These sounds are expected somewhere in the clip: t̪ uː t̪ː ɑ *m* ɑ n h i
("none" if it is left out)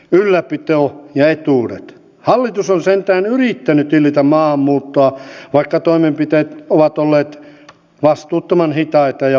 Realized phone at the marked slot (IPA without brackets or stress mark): m